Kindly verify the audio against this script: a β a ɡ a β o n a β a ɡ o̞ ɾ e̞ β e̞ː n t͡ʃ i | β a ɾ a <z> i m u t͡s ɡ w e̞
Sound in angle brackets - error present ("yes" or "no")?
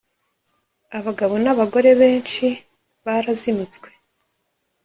no